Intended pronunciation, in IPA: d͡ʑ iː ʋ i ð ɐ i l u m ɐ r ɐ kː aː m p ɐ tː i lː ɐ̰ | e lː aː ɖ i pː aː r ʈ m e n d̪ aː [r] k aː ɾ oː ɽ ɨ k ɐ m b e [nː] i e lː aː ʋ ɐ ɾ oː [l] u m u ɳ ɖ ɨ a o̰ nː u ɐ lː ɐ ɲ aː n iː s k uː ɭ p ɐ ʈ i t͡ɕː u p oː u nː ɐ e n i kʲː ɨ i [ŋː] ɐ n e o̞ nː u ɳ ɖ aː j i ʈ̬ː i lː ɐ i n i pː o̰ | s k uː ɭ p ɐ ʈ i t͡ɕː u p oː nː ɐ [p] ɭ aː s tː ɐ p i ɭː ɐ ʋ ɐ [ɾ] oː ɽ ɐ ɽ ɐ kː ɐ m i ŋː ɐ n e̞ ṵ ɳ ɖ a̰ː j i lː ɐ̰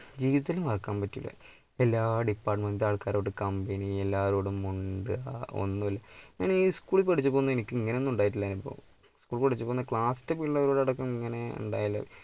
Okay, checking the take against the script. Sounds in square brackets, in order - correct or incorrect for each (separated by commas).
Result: incorrect, incorrect, incorrect, correct, incorrect, correct